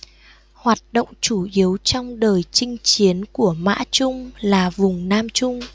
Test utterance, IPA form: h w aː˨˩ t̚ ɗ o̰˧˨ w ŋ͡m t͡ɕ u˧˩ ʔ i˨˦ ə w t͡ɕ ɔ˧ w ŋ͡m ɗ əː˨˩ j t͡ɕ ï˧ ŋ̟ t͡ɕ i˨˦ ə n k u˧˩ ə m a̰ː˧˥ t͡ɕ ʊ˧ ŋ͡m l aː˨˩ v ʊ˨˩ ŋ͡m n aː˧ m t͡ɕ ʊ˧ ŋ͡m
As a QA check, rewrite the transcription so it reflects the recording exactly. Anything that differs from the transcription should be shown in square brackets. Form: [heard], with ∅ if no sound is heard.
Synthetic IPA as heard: h w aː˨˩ t̚ ɗ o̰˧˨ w ŋ͡m t͡ɕ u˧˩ ʔ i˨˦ ə w t͡ɕ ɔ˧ w ŋ͡m ɗ əː˨˩ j t͡ɕ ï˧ ŋ̟ t͡ɕ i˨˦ ə n k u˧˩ ə m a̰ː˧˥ t͡ɕ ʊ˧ ŋ͡m l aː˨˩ v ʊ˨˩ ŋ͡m n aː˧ m t͡ɕ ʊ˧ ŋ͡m

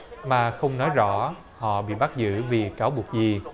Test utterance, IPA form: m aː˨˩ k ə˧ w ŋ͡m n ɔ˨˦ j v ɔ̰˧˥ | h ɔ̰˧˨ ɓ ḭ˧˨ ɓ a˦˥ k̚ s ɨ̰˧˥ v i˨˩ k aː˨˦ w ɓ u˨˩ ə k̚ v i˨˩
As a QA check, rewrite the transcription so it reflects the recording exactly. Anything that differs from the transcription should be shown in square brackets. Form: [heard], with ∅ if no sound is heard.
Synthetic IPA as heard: m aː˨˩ [x] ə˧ w ŋ͡m n ɔ˨˦ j [z] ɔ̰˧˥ | h ɔ̰˧˨ ɓ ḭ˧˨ ɓ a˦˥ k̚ [z] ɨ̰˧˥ v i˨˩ k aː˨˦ w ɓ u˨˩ ə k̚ [z] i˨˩

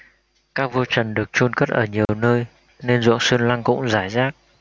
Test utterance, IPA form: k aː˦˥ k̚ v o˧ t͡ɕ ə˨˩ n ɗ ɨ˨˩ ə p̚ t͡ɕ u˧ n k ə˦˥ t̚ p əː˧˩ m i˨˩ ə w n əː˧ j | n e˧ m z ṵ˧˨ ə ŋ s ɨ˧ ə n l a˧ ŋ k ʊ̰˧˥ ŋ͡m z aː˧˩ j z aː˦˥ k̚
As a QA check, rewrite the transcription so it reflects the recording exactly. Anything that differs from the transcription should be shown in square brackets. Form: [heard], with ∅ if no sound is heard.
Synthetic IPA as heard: k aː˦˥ k̚ v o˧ t͡ɕ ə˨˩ n ɗ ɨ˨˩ ə [k̚] t͡ɕ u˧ n k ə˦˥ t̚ [ʔ] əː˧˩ [ɲ] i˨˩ ə w n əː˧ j | n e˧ [n] z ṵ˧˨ ə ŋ s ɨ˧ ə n l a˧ ŋ k ʊ̰˧˥ ŋ͡m z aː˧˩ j z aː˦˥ k̚

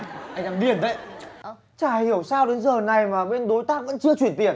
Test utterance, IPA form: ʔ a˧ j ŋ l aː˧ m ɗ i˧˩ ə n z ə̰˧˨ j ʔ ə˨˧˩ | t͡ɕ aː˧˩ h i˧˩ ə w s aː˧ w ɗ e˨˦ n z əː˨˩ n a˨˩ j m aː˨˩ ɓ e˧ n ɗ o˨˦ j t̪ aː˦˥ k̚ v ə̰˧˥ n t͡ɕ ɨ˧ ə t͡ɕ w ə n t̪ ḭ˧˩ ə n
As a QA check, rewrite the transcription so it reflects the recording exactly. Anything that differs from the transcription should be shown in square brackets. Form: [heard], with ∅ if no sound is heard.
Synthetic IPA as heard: ʔ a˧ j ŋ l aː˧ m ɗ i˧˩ ə n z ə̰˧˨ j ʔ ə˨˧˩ | t͡ɕ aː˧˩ h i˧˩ ə w s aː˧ w ɗ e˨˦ n z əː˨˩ n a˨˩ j m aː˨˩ ɓ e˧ n ɗ o˨˦ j t̪ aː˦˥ k̚ v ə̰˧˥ n t͡ɕ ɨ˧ ə t͡ɕ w ə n t̪ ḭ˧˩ ə n

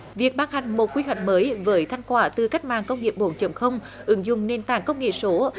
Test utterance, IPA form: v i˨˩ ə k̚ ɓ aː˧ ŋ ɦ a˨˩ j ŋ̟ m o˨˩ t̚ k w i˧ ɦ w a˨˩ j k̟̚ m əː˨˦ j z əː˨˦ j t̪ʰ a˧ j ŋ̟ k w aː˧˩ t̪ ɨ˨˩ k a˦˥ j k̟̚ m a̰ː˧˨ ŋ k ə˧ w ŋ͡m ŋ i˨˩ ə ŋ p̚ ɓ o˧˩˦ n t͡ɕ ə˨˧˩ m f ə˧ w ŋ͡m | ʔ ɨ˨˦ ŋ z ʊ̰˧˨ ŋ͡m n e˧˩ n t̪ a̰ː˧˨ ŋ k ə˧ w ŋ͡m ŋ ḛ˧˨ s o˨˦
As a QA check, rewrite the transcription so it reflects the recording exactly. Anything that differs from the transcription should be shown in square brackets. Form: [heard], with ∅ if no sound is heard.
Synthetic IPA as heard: v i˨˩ ə k̚ ɓ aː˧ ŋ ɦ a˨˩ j ŋ̟ m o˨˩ t̚ k w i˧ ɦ w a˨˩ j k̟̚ m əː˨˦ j [v] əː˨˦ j t̪ʰ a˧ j ŋ̟ k w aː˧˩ t̪ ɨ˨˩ k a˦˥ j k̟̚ m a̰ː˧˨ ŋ k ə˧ w ŋ͡m ŋ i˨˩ ə [∅] p̚ ɓ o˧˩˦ n t͡ɕ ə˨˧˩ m [x] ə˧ w ŋ͡m | ʔ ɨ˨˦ ŋ z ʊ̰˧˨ ŋ͡m n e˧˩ n t̪ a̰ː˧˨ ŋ k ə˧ w ŋ͡m ŋ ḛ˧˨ s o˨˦

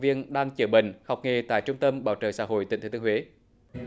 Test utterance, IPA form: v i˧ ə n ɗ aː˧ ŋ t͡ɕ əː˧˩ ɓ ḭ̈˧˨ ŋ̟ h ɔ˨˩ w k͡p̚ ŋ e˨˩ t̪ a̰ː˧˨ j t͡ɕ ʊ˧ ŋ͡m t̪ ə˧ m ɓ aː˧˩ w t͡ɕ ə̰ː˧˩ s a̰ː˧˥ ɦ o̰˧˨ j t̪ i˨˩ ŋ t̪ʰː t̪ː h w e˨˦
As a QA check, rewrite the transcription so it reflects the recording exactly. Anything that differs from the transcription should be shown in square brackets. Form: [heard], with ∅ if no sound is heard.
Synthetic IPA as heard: v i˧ ə n ɗ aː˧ ŋ t͡ɕ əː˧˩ ɓ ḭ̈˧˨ ŋ̟ h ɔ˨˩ w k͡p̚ ŋ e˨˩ t̪ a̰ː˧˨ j t͡ɕ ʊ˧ ŋ͡m t̪ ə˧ m ɓ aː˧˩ w t͡ɕ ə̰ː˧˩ s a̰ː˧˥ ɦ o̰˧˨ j t̪ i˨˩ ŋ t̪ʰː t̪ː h w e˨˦

